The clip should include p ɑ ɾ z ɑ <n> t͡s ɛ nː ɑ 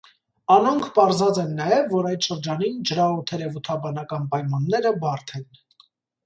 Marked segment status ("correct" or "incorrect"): incorrect